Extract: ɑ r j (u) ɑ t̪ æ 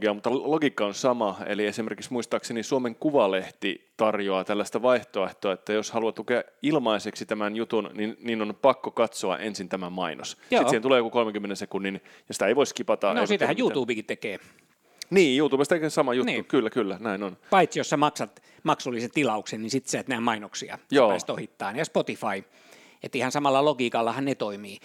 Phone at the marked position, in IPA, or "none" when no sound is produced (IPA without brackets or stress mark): o